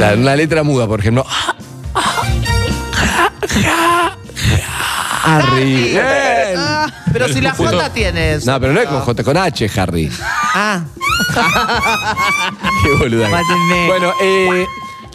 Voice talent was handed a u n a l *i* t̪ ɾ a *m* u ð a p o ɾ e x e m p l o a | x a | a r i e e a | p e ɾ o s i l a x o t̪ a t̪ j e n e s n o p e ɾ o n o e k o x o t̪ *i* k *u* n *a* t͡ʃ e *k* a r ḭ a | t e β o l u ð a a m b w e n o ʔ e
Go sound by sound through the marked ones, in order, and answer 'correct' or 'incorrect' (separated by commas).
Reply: incorrect, correct, incorrect, incorrect, correct, incorrect